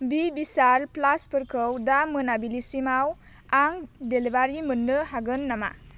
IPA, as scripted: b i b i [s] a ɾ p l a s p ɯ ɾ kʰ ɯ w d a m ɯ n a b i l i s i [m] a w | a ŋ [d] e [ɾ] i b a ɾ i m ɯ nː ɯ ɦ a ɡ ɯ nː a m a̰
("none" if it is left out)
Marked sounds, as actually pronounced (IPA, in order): s, m, d, l

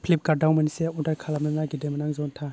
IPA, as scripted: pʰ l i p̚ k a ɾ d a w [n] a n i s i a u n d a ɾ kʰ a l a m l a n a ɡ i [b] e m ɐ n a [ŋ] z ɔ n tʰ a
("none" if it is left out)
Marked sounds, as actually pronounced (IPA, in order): m, d, ŋ

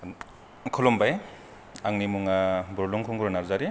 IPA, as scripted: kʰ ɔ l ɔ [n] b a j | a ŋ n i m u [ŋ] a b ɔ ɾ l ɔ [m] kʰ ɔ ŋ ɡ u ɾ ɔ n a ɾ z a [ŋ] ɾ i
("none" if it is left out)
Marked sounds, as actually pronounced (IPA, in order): m, ŋ, ŋ, none

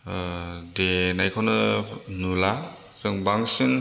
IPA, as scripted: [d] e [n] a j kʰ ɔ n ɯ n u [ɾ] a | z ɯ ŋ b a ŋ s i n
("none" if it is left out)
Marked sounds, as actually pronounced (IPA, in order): d, n, l

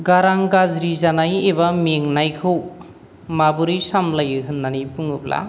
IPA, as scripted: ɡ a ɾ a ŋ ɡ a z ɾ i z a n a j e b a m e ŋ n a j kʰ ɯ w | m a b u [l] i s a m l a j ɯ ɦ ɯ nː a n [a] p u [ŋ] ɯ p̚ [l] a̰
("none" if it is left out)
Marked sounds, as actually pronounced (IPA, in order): ɾ, i, ŋ, l

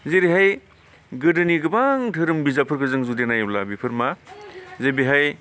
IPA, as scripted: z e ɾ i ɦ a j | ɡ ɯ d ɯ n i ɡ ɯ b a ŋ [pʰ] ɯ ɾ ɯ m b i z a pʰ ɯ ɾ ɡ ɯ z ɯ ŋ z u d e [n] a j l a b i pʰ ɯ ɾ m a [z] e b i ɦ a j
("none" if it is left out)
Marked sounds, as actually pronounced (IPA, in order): tʰ, n, z

